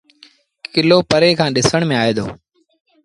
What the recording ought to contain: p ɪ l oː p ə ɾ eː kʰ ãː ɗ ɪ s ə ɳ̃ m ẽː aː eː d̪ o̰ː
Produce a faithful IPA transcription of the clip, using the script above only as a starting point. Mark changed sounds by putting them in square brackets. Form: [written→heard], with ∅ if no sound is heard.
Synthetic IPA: [p→k] ɪ l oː p ə ɾ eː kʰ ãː ɗ ɪ s ə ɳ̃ m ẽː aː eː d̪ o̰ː